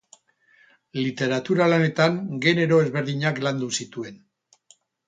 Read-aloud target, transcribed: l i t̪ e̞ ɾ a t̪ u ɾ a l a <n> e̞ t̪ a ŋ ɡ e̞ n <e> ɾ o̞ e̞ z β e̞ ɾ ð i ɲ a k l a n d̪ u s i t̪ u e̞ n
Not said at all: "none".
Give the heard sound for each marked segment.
n, e

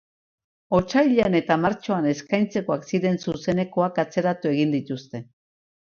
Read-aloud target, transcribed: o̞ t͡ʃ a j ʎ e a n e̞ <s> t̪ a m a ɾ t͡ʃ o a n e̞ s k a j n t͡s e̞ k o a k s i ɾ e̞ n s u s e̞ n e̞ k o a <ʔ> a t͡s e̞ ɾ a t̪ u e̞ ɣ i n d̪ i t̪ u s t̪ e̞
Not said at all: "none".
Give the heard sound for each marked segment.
none, k

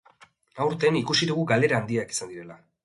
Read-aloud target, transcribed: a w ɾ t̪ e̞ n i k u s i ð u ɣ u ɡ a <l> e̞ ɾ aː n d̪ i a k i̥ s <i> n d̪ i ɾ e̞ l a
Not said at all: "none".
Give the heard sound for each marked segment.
l, a

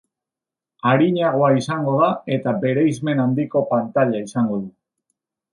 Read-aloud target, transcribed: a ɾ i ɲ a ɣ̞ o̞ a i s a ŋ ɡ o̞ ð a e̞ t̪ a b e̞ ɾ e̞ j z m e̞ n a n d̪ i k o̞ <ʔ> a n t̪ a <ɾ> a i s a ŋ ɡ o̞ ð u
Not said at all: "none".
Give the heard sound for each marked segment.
p, ʎ

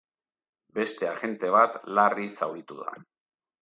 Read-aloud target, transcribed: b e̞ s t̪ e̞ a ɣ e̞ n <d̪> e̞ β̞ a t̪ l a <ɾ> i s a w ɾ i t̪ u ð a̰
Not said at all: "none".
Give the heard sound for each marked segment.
t̪, r

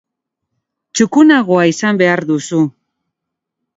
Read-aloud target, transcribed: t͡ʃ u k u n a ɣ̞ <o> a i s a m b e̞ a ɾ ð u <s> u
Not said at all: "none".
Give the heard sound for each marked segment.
o, s

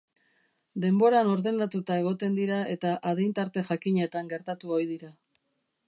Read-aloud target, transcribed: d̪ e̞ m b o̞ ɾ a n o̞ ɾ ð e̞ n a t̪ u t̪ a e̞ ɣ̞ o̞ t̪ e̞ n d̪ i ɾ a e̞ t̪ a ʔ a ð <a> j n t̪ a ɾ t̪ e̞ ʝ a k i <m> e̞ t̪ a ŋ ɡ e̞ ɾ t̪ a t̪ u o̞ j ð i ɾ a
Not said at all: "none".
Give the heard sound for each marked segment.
e, ɲ

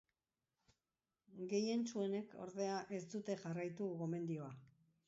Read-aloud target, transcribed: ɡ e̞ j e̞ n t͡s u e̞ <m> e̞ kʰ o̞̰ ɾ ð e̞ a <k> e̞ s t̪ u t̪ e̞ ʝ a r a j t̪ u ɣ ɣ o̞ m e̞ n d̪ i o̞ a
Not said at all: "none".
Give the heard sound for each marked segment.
n, ʔ

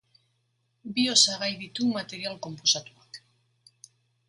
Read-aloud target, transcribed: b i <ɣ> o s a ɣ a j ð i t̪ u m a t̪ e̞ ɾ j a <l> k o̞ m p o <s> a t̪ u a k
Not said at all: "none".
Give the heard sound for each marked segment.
none, l, s

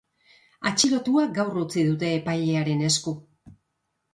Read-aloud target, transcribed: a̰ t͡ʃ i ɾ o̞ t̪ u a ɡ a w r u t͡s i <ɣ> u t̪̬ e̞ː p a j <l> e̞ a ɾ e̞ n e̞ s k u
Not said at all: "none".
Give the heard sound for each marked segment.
ð, ʎ

